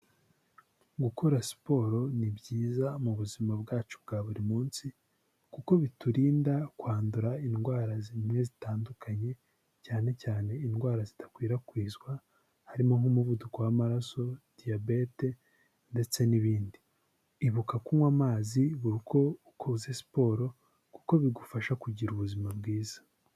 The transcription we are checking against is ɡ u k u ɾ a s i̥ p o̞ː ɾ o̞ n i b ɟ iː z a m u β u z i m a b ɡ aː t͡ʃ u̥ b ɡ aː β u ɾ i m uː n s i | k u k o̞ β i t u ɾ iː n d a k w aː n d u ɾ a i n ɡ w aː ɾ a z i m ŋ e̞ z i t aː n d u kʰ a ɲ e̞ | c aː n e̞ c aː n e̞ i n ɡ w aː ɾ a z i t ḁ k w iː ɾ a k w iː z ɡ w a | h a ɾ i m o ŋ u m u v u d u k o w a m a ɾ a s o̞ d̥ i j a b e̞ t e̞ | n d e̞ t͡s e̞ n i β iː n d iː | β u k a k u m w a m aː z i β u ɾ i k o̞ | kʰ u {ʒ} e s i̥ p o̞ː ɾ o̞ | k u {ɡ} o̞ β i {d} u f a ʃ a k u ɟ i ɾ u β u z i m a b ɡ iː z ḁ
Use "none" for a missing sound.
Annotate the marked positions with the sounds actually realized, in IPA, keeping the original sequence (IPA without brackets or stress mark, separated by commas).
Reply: z, k, ɡ